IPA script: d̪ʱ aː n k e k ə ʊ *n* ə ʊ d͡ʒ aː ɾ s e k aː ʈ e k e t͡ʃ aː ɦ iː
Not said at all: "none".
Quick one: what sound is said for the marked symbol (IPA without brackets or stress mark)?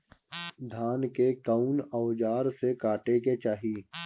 n